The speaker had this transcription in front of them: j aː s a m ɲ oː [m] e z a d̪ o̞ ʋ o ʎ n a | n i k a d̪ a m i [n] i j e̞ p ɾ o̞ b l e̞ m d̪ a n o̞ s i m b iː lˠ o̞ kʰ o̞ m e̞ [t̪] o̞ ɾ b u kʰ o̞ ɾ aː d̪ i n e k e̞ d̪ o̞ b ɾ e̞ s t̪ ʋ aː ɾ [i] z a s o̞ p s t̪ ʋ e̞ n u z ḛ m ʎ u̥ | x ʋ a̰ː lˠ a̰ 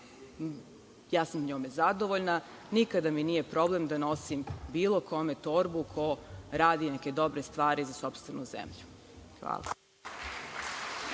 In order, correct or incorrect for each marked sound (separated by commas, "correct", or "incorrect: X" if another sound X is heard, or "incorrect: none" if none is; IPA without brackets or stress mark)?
correct, correct, correct, correct